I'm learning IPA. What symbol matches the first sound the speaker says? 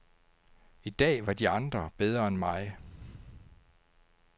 i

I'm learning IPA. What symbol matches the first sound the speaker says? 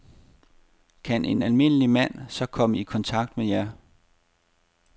kʰ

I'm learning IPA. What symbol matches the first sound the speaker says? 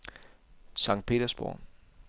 s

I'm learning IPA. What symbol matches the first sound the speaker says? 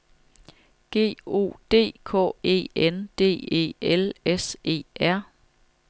ɡ̥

